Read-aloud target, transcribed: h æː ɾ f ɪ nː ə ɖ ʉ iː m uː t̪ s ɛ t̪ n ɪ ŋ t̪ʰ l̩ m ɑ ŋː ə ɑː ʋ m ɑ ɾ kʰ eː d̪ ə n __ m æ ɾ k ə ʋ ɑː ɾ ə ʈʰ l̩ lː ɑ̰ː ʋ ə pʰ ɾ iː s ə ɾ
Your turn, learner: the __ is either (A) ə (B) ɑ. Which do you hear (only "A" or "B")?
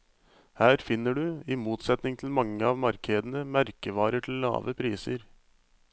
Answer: A